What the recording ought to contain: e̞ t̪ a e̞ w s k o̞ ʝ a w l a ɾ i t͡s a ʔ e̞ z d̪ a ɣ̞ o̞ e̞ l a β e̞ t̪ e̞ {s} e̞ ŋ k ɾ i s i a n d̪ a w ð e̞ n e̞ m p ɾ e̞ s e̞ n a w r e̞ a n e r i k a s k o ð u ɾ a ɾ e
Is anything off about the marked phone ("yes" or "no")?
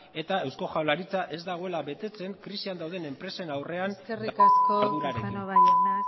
yes